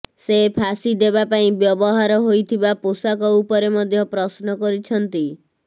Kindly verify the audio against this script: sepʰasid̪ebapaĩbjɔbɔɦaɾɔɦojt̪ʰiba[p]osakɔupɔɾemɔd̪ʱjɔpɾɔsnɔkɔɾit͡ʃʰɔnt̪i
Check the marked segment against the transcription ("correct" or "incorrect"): correct